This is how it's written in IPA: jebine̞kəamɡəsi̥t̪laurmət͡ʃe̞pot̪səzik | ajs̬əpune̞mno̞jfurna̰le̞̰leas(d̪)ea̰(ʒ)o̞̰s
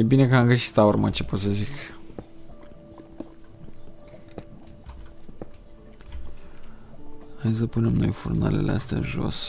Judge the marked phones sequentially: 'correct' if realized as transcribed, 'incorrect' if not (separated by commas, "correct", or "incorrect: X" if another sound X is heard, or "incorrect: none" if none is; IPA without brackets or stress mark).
incorrect: t̪, correct